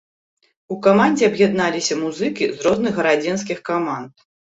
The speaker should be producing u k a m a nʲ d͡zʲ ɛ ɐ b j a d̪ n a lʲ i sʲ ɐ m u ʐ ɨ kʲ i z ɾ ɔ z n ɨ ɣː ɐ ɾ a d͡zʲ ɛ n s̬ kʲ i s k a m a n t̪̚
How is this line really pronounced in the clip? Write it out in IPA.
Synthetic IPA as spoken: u k a m a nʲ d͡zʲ ɛ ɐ b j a d̪ n a lʲ i sʲ ɐ m u z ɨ kʲ i z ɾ ɔ z n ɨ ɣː ɐ ɾ a d͡zʲ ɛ n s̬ kʲ i x k a m a n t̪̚

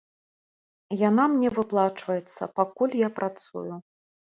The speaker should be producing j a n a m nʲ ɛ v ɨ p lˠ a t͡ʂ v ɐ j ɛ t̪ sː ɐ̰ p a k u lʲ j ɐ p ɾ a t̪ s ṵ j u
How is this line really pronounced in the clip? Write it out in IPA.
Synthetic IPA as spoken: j a n a m nʲ ɛ v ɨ p lˠ a t͡ʂ v ɐ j ɛ t̪ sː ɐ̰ p a k u lʲ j a p ɾ a t̪ s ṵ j u

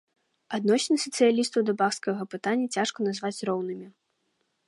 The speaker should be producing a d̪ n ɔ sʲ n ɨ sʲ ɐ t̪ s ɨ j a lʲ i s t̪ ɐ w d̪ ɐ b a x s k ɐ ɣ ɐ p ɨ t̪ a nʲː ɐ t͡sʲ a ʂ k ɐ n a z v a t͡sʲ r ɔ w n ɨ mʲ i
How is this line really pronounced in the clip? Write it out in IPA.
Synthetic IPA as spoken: a d̪ n ɔ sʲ n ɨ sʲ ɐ t̪ s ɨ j a lʲ i s t̪ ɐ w d̪ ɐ b a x s k ɐ ɣ ɐ p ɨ t̪ a nʲː ɐ t͡sʲ a ʂ k ɐ n a z v a t͡sʲ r ɔ w n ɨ mʲ i

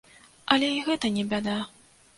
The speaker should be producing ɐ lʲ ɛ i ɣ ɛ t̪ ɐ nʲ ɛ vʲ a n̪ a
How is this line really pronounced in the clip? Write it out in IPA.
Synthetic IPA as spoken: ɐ lʲ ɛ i ɣ ɛ t̪ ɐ nʲ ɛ bʲ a d̪ a

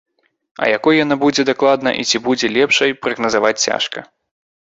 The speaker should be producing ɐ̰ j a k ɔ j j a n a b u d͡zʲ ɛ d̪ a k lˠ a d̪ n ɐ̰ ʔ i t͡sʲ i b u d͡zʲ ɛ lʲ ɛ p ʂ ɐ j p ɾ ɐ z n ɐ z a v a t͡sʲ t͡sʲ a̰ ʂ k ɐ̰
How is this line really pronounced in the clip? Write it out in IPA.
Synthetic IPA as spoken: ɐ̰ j a k ɔ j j a n a b u d͡zʲ ɛ d̪ a k lˠ a d̪ n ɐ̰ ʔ i t͡sʲ i b u d͡zʲ ɛ lʲ ɛ p ʂ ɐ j p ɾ ɐ ɣ n ɐ z a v a t͡sʲ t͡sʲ a̰ ʂ k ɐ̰

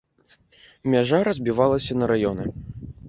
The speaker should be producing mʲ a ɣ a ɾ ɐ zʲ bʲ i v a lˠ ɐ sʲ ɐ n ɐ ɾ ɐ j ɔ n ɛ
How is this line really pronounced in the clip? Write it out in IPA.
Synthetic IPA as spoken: mʲ a ʐ a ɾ ɐ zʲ bʲ i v a lˠ ɐ sʲ ɐ n ɐ ɾ a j ɔ n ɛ

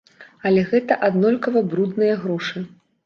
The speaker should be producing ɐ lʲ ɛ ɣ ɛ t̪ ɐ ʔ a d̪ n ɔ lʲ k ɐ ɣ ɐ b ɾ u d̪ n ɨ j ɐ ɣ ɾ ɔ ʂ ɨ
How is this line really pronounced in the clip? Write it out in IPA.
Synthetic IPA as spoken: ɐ lʲ ɛ ɣ ɛ t̪ ɐ ʔ a d̪ n ɔ lʲ k ɐ v ɐ b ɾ u d̪ n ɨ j ɐ ɣ ɾ ɔ ʂ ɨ

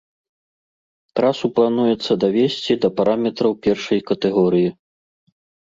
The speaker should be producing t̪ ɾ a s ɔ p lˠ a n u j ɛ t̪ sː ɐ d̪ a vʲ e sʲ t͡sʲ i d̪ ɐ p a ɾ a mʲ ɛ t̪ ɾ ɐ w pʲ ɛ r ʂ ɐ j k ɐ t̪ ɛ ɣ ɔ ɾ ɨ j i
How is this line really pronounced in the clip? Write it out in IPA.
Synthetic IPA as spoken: t̪ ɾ a s u p lˠ a n u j ɛ t̪ sː ɐ d̪ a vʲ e sʲ t͡sʲ i d̪ ɐ p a ɾ a mʲ ɛ t̪ ɾ ɐ w pʲ ɛ r ʂ ɐ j k ɐ t̪ ɛ ɣ ɔ ɾ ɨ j i

